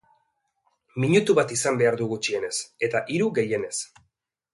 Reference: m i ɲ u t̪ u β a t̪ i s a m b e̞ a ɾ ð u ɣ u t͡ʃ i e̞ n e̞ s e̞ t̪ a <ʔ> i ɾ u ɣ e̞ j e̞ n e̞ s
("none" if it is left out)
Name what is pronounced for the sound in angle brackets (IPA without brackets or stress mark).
ʔ